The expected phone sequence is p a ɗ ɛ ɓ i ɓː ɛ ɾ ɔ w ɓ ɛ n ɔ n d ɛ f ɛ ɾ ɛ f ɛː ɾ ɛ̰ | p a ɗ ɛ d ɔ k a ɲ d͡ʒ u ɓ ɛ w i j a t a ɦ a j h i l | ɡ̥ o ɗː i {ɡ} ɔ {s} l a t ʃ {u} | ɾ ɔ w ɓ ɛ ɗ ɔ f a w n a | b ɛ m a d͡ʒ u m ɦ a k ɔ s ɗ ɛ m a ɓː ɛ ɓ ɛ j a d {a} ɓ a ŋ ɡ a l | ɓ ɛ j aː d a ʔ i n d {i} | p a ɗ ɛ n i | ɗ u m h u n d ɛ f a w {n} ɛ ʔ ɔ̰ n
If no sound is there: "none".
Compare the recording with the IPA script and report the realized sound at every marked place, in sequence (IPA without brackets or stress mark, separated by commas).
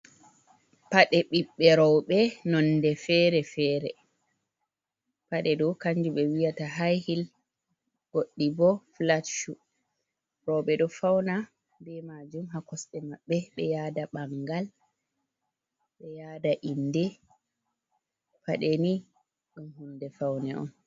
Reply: b, f, u, a, ɛ, n